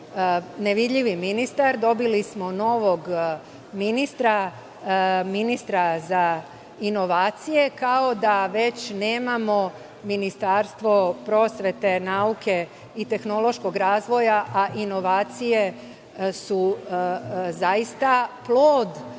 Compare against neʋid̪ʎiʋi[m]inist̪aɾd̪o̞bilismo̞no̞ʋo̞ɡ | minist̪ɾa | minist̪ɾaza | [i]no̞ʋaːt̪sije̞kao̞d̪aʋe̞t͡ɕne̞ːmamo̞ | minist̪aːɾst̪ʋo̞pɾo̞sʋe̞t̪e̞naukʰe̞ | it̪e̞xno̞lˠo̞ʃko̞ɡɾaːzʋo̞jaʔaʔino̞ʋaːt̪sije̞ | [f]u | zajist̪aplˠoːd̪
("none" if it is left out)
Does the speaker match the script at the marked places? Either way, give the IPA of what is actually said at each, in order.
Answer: m, i, s

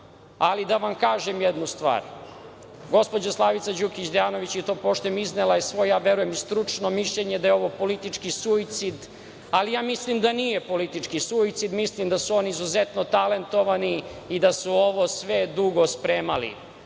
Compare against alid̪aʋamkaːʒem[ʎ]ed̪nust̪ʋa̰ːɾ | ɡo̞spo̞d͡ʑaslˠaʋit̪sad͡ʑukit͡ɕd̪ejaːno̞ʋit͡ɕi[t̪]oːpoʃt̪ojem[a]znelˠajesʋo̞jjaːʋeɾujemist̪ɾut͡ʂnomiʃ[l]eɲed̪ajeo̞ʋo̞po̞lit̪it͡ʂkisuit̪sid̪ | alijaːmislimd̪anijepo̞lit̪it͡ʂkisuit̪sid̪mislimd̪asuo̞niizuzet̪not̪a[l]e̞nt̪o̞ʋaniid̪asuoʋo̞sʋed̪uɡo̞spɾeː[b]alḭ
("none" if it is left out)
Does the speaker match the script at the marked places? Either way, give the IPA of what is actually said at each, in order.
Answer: j, t̪, i, ʎ, l, m

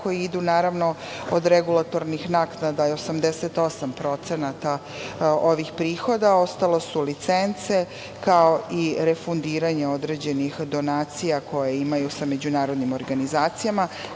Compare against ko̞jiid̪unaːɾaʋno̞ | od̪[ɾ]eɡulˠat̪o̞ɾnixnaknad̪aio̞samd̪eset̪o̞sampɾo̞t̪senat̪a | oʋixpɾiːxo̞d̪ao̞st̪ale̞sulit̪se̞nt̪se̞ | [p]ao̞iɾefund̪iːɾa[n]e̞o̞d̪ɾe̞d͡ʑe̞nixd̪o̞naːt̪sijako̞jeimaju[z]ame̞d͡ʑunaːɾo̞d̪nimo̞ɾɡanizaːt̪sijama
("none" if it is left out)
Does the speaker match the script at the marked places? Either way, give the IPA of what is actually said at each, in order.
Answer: ɾ, k, ɲ, s

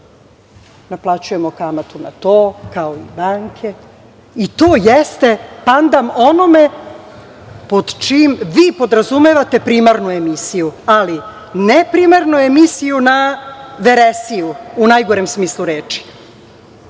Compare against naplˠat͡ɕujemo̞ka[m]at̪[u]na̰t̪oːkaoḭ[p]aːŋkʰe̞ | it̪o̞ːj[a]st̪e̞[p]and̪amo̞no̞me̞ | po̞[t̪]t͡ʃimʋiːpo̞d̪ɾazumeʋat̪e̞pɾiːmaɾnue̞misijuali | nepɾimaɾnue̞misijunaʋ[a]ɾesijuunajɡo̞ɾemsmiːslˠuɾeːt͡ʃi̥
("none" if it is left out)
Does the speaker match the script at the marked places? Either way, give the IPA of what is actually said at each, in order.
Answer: m, u, b, e, p, d̪, e

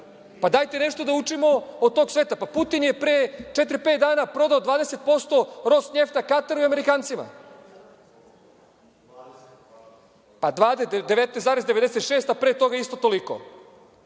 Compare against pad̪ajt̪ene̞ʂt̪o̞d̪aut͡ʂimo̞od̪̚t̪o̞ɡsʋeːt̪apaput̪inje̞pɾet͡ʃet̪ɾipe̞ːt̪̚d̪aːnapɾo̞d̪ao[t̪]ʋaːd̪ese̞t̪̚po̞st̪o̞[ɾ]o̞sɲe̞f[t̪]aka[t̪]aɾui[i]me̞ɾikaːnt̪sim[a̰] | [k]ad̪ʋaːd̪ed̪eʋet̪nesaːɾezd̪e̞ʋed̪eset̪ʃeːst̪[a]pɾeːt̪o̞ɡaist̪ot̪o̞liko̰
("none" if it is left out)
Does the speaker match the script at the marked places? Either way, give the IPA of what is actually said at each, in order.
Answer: d̪, ɾ, t̪, t̪, a, a̰, p, a

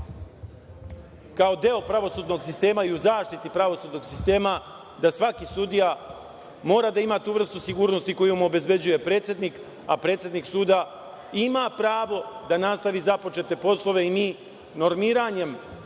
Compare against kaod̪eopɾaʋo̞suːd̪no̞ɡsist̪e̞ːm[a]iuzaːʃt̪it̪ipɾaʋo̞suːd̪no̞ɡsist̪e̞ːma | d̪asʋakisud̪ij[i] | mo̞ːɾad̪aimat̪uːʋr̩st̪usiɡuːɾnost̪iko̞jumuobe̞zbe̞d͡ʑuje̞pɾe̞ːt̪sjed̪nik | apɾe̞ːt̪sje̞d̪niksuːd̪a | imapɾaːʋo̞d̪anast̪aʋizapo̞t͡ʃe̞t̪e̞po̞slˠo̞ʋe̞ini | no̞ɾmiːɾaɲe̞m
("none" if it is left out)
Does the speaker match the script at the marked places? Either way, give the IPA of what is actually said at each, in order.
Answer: a, a

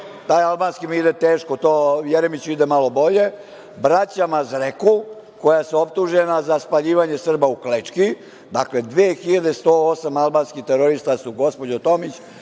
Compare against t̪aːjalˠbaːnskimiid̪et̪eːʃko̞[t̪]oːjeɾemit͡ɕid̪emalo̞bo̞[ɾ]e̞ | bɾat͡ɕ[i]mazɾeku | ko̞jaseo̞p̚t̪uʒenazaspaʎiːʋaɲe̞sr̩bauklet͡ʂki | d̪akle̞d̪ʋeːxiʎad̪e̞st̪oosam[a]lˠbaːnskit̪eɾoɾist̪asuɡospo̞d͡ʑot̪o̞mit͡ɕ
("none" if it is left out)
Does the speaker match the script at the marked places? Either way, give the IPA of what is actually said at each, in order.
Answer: t̪, ʎ, a, a

